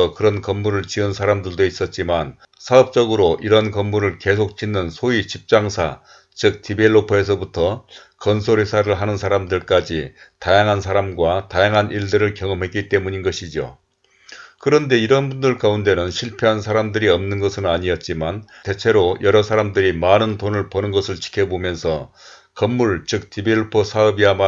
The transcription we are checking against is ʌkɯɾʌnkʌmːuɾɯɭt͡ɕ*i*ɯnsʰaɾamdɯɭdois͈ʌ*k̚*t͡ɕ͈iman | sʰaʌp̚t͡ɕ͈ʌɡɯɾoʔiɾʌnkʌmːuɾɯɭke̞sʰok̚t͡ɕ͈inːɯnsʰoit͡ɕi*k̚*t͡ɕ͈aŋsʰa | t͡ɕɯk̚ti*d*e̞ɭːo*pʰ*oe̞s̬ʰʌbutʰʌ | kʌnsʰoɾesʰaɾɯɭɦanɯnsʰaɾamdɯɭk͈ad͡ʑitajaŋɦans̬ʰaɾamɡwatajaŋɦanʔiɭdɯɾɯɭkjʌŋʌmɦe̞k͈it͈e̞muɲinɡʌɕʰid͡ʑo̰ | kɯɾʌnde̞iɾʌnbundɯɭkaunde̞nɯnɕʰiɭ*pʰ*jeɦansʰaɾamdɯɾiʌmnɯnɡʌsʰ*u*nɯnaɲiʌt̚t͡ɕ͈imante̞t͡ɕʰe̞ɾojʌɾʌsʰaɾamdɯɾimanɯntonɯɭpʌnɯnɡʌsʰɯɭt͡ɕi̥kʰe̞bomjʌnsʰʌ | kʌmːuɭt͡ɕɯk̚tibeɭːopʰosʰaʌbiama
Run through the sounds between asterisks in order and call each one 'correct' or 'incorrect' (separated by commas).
correct, incorrect, incorrect, incorrect, correct, correct, incorrect